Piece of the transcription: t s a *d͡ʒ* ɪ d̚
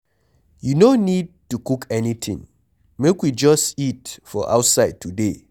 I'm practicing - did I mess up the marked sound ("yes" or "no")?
yes